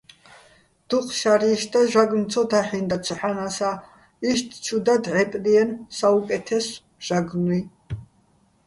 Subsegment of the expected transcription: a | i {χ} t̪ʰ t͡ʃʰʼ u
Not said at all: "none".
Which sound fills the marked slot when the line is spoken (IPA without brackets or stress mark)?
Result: ʃ